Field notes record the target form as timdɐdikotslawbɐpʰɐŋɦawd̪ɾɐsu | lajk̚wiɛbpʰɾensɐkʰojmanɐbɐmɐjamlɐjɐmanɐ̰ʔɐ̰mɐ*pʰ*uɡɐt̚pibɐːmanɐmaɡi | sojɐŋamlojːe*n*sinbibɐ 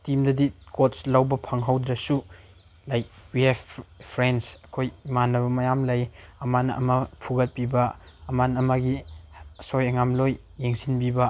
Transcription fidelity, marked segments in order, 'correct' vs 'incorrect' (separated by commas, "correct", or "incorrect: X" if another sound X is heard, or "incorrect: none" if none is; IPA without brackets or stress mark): correct, incorrect: ŋ